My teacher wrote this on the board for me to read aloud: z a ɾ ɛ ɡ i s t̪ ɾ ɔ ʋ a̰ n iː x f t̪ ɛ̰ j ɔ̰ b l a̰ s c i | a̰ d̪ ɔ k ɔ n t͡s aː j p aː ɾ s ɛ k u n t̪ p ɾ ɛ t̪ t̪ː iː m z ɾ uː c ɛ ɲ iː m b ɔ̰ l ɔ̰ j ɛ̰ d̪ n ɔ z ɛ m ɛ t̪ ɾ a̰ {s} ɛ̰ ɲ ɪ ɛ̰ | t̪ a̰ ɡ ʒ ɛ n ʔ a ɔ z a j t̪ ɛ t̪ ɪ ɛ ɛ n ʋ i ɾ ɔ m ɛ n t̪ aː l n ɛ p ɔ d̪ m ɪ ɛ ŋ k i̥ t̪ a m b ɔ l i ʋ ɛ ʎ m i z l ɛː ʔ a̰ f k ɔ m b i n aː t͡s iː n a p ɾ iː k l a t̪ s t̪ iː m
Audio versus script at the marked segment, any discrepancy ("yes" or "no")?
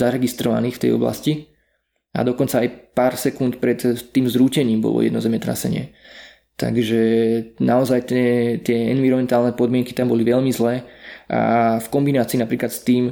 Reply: no